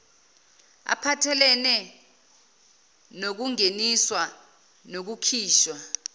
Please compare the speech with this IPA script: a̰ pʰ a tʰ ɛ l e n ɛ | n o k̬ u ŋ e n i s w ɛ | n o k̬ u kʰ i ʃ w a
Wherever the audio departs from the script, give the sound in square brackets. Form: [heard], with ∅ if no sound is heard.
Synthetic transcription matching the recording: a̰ pʰ a tʰ ɛ l [ɛ] n ɛ | n o k̬ u ŋ e n i s w [a] | n o k̬ u kʰ [iː] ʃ w a